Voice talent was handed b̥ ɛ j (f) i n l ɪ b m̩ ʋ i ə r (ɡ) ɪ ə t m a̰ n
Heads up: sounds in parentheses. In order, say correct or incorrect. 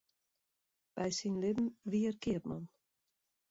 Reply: incorrect, incorrect

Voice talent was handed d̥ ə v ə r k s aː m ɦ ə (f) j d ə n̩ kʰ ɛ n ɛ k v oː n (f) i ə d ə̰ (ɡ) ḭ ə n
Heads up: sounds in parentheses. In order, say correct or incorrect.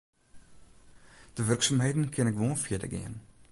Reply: incorrect, correct, correct

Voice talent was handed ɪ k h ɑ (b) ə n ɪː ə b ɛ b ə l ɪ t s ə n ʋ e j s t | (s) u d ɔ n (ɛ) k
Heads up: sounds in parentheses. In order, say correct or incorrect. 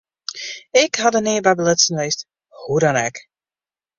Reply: incorrect, incorrect, correct

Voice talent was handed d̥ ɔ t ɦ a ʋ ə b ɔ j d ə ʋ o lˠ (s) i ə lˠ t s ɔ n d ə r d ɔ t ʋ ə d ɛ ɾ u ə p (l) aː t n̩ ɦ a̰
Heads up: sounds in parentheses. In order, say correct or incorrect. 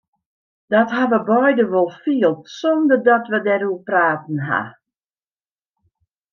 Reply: incorrect, incorrect

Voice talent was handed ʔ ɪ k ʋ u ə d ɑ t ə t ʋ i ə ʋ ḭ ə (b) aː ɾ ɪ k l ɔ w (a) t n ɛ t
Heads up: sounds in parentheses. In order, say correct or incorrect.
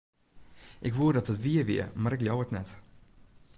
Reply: incorrect, incorrect

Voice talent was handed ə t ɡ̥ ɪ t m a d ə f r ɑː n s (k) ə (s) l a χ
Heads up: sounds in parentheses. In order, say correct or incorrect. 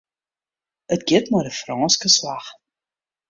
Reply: correct, correct

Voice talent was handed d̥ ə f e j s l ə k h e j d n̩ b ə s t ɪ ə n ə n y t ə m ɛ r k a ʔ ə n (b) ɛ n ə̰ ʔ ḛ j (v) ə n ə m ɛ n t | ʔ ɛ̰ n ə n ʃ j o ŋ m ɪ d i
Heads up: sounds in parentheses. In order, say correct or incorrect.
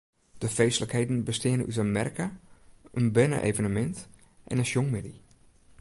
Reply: correct, correct

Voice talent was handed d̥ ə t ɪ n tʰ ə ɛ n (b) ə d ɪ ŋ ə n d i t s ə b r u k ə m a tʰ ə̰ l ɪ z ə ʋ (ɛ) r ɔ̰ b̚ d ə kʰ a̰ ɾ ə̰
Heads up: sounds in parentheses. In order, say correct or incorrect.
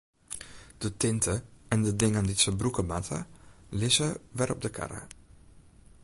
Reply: incorrect, correct

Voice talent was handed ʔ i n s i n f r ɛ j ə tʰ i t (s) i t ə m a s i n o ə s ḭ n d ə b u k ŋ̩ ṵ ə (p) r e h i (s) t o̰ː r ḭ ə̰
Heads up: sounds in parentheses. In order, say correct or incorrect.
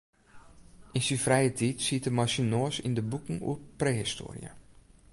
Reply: correct, correct, correct

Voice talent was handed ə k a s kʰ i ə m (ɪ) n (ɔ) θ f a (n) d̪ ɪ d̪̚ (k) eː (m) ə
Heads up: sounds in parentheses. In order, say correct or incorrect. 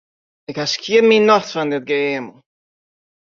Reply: incorrect, correct, correct, incorrect, correct

